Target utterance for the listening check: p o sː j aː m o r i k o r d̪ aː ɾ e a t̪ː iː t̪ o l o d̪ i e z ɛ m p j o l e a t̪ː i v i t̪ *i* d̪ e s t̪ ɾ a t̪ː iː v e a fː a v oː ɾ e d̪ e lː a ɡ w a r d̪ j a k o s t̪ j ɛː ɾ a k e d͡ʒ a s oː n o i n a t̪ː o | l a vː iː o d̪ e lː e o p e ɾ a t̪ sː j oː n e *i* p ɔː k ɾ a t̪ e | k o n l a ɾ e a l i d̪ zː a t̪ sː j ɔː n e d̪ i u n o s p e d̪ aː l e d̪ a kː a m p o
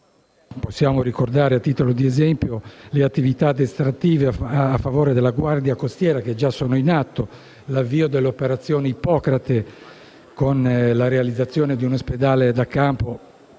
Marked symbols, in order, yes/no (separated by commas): no, yes